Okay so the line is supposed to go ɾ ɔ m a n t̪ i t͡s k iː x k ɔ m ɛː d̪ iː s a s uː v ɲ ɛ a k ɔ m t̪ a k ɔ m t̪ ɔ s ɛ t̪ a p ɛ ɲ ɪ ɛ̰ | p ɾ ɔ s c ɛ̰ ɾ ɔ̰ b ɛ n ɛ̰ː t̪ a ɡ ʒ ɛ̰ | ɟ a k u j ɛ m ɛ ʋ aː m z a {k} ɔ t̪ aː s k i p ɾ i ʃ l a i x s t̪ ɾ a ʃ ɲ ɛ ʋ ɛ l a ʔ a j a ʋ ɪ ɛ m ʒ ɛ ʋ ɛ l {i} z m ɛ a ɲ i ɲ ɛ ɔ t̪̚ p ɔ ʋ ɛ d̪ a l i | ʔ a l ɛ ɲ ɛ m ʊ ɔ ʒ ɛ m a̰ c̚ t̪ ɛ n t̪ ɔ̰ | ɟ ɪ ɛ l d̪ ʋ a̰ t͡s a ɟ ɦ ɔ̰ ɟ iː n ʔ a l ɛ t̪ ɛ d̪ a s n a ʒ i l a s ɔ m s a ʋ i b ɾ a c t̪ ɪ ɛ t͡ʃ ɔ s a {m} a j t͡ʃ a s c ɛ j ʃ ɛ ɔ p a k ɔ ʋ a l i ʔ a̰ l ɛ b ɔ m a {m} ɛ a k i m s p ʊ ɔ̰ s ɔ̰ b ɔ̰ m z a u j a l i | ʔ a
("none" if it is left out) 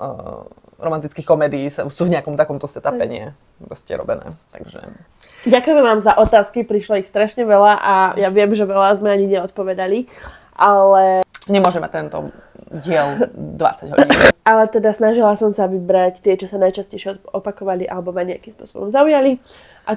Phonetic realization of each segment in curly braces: ʔ, a, n, ɲ

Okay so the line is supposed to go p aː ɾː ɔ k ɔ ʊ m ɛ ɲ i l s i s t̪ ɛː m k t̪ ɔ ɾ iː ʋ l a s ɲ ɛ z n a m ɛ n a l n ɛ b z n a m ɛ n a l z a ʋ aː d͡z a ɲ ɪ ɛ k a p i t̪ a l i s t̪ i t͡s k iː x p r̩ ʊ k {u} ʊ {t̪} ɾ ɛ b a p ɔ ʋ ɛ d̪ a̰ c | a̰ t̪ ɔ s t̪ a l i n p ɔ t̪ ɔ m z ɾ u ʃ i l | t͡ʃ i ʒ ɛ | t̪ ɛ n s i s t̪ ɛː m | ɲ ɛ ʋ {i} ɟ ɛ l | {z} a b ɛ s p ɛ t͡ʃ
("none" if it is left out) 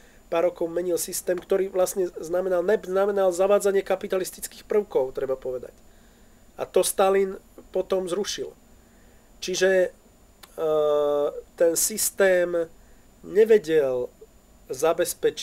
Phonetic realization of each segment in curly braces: ɔ, t̪, ɛ, z

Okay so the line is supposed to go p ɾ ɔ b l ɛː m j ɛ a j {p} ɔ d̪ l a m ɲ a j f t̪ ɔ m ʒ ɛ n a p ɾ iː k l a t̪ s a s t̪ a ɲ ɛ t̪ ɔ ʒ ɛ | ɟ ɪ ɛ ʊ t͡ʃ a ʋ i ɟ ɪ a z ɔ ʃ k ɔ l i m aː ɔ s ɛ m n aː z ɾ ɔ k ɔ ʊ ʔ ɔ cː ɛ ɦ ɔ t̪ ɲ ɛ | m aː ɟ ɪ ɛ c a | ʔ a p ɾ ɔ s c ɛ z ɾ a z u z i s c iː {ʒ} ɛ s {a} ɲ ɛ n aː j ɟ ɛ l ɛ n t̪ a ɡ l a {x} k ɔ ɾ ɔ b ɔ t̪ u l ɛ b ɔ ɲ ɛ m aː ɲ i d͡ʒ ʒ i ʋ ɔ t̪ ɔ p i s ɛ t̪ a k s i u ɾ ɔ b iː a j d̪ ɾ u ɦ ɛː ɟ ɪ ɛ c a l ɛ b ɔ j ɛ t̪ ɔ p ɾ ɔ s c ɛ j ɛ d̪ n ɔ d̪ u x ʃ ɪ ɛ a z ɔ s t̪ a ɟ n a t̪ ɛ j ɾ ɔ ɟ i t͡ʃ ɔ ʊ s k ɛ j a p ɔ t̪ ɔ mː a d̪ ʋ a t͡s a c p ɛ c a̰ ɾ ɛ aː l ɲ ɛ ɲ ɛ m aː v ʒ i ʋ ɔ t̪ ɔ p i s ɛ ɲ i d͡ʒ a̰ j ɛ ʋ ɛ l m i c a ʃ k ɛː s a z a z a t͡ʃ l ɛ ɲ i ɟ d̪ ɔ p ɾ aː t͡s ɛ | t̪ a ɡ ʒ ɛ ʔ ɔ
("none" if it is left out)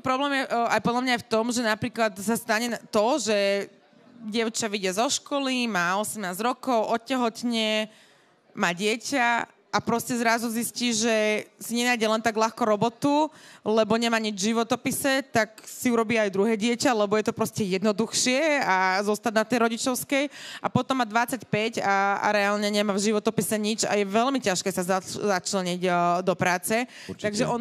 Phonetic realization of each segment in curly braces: p, ʒ, i, x

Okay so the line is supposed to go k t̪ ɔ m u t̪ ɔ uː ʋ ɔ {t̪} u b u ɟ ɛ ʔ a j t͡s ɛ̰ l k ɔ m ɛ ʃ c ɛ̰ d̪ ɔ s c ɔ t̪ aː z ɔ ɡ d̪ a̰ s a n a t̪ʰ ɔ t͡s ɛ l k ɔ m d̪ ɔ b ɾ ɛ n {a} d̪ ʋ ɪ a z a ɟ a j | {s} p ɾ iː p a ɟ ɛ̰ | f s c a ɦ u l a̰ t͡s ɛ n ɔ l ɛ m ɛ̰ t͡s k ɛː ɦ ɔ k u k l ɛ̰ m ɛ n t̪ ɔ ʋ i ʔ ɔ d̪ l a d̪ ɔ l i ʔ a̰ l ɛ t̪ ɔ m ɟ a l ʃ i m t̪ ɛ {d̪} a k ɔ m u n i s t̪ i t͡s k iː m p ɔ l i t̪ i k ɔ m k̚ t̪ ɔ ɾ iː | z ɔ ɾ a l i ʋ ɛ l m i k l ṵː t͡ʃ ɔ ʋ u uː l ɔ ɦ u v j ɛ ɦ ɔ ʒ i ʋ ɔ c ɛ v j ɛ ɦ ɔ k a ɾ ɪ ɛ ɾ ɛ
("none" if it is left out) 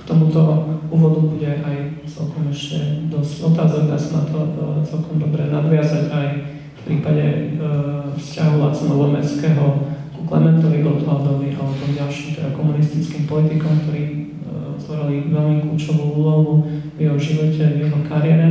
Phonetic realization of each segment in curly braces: d̪, a, f, d̪

